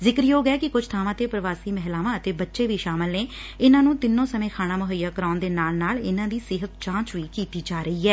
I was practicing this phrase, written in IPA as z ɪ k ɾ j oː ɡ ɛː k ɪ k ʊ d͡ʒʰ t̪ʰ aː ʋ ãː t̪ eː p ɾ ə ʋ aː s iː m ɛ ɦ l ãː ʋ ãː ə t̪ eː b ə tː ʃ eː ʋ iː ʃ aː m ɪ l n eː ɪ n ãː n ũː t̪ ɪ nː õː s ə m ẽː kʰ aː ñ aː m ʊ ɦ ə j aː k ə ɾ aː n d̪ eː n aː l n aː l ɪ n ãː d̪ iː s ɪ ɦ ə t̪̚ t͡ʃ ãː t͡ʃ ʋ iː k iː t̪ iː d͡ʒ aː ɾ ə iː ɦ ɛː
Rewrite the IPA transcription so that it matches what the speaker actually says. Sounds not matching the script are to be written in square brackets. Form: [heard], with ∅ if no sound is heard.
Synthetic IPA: z ɪ k ɾ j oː ɡ ɛː k ɪ k ʊ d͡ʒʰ t̪ʰ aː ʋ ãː t̪ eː p ɾ ə ʋ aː s iː m ɛ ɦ l [aː] ʋ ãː ə t̪ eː b ə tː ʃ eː ʋ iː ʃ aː m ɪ l n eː ɪ n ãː n ũː t̪ ɪ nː õː s ə m ẽː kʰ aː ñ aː m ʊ ɦ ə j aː k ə ɾ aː n d̪ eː n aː l n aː l ɪ n ãː d̪ iː s ɪ ɦ ə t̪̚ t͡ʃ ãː t͡ʃ ʋ iː k iː t̪ iː d͡ʒ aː ɾ ə iː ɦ ɛː